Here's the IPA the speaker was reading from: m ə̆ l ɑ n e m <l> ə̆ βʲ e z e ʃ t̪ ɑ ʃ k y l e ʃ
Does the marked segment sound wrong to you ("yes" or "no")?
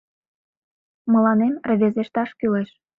yes